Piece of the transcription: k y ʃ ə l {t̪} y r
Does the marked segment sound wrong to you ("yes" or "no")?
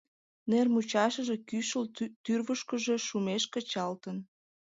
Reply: no